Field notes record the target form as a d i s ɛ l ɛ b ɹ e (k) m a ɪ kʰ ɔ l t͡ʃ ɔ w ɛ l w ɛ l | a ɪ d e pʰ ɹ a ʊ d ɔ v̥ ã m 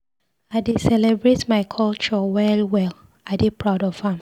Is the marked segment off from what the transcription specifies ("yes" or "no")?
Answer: yes